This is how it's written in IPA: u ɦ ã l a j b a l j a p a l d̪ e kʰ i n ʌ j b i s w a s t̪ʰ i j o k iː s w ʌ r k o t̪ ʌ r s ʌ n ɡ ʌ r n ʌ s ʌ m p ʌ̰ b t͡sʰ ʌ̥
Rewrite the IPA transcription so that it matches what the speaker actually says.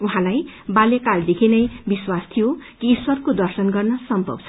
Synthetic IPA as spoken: u ɦ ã l a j b a l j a k a l d̪ e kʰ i n ʌ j b i s w a s t̪ʰ i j o k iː s w ʌ r k o d̪ ʌ r s ʌ n ɡ ʌ r n ʌ s ʌ m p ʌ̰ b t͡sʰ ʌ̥